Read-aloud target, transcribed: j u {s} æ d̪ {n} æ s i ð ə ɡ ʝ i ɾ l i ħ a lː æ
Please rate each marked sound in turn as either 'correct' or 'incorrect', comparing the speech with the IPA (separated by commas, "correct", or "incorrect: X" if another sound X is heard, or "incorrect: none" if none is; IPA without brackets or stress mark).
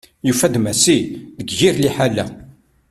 incorrect: f, incorrect: m